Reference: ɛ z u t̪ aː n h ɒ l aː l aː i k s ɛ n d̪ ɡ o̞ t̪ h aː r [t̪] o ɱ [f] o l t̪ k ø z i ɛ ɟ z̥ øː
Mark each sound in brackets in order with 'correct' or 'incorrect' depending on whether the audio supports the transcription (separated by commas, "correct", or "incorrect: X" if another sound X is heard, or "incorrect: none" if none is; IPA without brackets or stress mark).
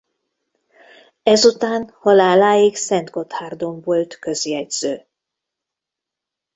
incorrect: d̪, incorrect: v